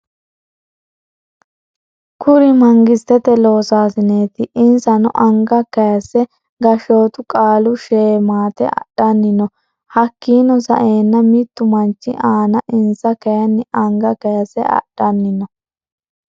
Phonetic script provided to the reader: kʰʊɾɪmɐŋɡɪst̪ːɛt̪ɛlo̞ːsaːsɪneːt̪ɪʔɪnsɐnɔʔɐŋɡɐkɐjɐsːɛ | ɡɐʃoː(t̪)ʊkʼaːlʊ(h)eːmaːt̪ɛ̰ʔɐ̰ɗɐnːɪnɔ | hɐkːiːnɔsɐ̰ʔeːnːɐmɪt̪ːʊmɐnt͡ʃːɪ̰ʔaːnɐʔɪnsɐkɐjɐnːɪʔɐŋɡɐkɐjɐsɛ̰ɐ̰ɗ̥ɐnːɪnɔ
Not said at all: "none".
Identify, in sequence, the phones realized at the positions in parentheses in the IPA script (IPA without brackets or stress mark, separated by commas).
t̪, ʃ